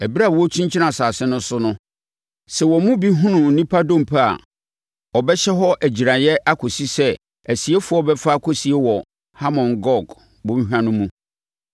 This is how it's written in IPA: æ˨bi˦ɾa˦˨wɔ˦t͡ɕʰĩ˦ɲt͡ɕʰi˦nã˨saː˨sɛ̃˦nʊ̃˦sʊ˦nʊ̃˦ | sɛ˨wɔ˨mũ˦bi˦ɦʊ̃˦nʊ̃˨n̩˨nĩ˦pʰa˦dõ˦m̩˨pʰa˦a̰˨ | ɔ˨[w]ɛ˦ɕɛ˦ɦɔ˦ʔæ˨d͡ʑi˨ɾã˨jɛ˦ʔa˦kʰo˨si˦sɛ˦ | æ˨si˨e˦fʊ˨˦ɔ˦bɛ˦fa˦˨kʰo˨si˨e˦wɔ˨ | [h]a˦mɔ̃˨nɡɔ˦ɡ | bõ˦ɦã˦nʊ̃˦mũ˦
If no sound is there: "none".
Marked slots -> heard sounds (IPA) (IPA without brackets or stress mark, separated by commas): b, h